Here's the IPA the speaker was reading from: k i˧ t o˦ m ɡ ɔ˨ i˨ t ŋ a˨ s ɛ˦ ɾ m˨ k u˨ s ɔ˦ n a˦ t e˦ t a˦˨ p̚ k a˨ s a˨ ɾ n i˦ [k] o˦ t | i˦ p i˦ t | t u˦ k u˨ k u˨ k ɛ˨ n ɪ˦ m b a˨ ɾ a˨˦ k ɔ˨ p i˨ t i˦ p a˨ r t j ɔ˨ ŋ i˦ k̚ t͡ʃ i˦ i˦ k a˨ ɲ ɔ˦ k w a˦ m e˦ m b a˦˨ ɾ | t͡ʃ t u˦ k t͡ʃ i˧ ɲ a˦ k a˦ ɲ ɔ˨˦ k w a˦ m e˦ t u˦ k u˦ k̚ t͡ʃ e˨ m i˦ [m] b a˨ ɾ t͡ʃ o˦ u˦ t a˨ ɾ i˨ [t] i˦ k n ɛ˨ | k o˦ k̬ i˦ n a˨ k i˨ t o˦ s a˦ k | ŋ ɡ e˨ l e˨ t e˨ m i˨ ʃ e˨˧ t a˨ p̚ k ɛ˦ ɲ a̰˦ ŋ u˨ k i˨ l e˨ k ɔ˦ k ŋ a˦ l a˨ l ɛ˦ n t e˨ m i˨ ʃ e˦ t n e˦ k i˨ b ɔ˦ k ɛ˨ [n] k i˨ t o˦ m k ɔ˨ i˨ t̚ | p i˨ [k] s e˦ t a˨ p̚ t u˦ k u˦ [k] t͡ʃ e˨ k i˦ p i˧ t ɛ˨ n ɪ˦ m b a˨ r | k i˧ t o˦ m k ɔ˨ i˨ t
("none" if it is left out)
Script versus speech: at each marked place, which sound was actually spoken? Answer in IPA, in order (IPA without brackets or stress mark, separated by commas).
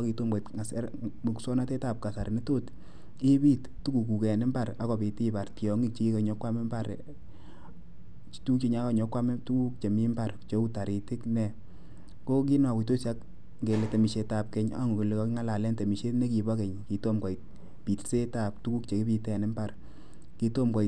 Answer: t, m, t, ɲ, t, k